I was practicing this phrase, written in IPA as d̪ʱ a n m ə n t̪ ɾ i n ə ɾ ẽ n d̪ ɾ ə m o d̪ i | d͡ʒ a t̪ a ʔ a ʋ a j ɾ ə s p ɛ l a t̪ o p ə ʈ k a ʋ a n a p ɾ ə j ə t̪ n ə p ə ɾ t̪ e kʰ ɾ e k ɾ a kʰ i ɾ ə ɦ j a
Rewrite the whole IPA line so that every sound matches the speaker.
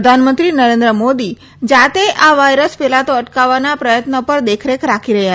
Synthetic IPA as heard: d̪ʱ a n m ə n t̪ ɾ i n ə ɾ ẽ n d̪ ɾ ə m o d̪ i | d͡ʒ a t̪ e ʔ a ʋ a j ɾ ə s p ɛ l a t̪ o ə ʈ k a ʋ a n a p ɾ ə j ə t̪ n ə p ə ɾ d̪ e kʰ ɾ e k ɾ a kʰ i ɾ ə ɦ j a